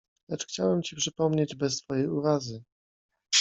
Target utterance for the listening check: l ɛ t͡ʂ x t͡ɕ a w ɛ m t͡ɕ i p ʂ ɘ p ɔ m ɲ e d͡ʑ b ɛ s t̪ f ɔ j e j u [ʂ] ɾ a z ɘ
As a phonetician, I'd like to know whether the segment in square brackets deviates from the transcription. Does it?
yes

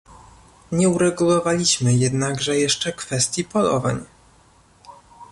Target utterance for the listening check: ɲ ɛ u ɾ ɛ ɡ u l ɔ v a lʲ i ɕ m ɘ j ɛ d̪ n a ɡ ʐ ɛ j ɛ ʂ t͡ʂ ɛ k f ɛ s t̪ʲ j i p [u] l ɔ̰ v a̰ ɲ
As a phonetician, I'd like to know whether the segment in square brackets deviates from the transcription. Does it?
yes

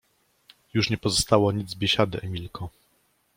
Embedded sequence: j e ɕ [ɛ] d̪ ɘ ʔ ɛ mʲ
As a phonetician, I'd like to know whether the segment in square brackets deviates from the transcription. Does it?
yes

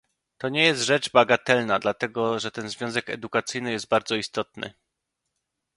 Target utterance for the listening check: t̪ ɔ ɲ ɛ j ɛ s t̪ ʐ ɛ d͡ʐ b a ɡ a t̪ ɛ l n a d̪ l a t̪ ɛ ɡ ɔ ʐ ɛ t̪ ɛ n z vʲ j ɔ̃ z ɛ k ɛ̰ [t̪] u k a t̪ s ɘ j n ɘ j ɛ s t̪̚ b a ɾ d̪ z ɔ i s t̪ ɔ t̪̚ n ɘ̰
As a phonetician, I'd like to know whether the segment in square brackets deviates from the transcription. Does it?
yes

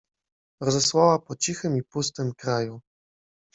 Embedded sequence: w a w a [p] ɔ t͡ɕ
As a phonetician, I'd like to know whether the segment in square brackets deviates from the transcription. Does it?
no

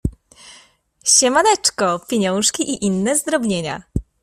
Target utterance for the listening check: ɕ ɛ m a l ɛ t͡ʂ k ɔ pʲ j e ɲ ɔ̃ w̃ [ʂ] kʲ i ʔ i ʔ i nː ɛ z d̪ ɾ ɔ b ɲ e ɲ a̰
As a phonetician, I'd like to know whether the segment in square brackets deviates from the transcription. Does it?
no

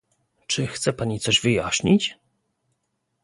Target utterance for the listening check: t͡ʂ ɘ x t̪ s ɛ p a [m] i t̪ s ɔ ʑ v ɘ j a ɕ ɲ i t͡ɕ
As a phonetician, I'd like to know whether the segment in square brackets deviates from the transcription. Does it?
yes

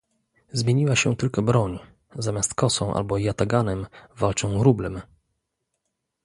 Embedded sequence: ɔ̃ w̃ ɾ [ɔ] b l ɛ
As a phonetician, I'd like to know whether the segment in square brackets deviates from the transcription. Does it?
yes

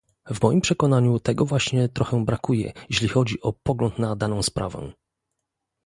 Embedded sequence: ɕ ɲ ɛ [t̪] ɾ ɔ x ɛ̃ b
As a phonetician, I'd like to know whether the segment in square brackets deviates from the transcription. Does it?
no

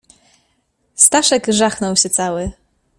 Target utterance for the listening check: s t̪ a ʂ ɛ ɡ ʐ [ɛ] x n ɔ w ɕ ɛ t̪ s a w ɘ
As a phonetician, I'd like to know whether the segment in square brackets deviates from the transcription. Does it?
yes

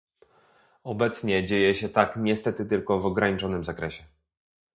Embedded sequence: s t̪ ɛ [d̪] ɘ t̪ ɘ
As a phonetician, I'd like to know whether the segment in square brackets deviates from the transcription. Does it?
yes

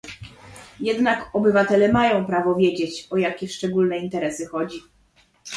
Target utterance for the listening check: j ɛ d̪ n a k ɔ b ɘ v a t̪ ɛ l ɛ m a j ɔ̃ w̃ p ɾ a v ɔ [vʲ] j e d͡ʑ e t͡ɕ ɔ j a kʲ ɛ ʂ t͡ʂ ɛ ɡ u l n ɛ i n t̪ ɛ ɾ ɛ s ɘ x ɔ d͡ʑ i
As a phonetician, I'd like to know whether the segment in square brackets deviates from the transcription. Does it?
no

